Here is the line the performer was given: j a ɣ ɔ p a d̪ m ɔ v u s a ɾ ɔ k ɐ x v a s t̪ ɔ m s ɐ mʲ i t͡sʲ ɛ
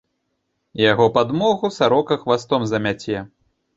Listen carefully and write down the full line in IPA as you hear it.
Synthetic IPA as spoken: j a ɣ ɔ p a d̪ m ɔ ɣ u s a ɾ ɔ k ɐ x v a s t̪ ɔ m z ɐ mʲ a t͡sʲ ɛ